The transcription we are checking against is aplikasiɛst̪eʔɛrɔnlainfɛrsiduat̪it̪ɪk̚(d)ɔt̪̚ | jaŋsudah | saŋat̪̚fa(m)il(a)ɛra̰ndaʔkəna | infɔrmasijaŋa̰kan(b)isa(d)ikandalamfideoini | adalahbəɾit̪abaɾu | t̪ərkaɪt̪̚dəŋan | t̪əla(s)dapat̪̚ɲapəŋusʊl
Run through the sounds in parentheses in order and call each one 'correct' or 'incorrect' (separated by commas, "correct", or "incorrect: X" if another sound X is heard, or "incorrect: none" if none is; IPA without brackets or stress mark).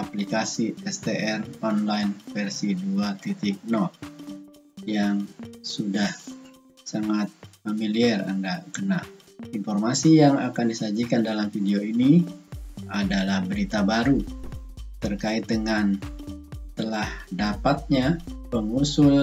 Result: incorrect: n, correct, incorrect: i, incorrect: d, incorrect: d͡ʒ, incorrect: h